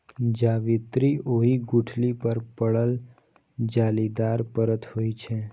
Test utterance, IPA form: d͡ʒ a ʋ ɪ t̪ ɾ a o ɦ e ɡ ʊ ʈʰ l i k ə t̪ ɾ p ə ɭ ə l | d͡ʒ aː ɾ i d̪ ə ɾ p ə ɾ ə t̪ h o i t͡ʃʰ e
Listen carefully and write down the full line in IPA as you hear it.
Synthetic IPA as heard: d͡ʒ a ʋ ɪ t̪ ɾ i o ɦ i ɡ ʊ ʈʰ l i p ə ɾ p ə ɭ ə l | d͡ʒ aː l i d̪ a ɾ p ə ɾ ə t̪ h o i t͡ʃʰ e